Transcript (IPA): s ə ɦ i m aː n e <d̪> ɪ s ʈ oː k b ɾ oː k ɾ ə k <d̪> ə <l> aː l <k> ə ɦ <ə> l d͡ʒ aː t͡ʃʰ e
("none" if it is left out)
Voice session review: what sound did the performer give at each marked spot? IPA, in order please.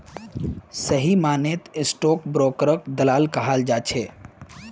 t̪, d̪, l, k, a

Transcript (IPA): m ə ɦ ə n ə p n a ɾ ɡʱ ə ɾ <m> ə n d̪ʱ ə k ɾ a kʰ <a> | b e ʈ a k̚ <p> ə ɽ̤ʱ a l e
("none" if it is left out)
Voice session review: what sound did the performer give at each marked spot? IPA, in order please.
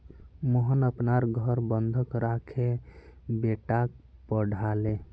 b, e, p

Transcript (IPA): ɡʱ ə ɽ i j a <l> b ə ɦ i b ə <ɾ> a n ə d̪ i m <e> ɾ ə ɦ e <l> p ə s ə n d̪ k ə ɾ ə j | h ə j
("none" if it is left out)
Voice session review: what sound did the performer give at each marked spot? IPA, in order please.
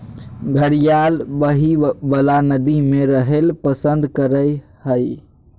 l, l, e, l

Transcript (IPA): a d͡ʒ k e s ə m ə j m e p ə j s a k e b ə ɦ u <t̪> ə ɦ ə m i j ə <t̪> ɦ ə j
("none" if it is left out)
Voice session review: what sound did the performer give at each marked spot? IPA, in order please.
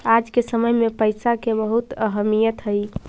t̪, t̪

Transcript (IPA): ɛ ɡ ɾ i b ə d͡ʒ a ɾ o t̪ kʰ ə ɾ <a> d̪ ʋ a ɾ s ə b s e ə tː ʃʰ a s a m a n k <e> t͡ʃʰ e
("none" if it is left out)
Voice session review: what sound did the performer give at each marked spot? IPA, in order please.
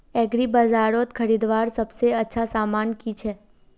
i, i

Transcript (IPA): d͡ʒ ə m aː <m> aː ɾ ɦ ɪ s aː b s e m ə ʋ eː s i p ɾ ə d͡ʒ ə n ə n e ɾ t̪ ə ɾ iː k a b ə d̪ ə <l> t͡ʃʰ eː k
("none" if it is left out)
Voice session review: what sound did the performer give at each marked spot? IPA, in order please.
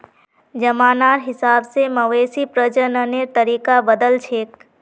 n, l

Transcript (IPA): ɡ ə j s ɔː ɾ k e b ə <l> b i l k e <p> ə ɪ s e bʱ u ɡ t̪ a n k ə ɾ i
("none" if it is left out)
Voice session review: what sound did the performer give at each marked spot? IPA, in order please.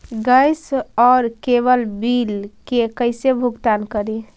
l, k

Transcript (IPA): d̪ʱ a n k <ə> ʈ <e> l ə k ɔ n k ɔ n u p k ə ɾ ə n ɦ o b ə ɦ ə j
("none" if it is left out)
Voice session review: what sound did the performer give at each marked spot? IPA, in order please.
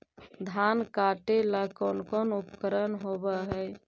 a, e

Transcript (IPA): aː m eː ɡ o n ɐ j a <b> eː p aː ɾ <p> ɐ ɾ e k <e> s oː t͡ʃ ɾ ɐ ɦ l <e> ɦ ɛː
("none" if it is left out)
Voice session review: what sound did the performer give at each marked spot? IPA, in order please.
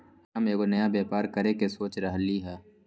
b, k, e, i

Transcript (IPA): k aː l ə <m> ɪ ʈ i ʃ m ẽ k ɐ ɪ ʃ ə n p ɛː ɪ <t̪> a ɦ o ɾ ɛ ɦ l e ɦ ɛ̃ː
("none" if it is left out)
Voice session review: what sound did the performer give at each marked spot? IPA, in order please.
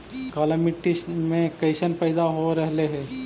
m, d̪

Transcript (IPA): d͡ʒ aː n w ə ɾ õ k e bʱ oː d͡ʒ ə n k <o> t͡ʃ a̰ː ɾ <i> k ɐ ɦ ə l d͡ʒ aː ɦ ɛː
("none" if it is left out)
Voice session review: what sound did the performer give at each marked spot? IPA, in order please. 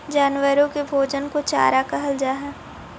o, a

